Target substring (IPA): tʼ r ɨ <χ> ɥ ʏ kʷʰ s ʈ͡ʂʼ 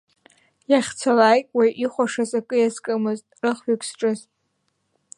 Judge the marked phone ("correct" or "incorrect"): correct